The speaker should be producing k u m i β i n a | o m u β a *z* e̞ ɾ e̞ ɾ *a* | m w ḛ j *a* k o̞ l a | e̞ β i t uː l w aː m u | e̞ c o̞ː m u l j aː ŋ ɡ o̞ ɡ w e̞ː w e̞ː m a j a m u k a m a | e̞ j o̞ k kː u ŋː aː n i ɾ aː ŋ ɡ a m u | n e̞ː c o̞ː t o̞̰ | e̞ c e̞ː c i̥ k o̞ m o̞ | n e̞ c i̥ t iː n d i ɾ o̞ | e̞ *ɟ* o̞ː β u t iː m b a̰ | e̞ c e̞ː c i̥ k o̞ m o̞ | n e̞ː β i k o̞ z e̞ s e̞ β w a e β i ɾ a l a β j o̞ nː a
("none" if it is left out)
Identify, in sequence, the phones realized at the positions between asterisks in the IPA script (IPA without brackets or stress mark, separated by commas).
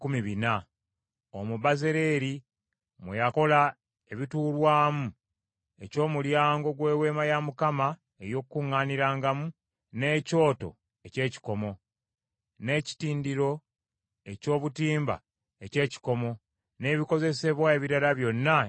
z, i, a, c